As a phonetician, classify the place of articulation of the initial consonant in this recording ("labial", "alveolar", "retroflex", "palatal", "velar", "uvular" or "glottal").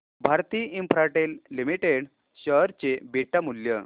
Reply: labial